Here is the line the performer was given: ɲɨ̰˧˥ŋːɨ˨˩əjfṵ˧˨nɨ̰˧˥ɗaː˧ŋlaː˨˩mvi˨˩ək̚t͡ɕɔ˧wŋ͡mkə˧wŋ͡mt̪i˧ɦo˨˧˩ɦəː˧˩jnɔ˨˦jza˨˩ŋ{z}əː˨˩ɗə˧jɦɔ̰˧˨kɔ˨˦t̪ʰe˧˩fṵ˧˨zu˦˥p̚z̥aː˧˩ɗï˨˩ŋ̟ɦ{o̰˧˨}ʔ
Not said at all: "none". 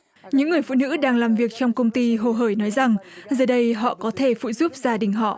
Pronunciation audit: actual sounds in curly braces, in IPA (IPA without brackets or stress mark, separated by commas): z, ɔ̰˧˨